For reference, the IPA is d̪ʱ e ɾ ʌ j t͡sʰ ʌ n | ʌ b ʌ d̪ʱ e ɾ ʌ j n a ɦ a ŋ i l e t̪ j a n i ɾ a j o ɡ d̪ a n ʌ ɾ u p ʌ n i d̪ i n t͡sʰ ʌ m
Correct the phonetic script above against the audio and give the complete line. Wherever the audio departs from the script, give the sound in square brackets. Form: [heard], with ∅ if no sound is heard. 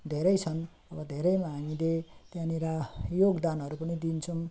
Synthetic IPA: d̪ʱ e ɾ ʌ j t͡sʰ ʌ n | ʌ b ʌ d̪ʱ e ɾ ʌ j [m] a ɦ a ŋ i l e t̪ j a n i ɾ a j o ɡ d̪ a n ʌ ɾ u p ʌ n i d̪ i n t͡sʰ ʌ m